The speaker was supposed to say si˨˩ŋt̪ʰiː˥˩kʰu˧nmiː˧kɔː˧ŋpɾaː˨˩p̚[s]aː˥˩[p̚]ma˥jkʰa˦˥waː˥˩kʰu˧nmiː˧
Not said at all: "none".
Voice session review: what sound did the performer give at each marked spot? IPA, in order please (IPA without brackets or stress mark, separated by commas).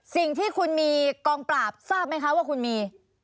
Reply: s, p̚